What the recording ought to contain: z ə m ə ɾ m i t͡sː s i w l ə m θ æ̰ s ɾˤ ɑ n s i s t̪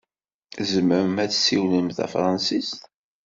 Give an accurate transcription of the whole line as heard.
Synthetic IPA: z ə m ə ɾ m æ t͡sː s i w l ə m θ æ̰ f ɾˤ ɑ n s i s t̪